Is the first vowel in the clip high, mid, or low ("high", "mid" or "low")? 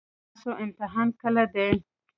mid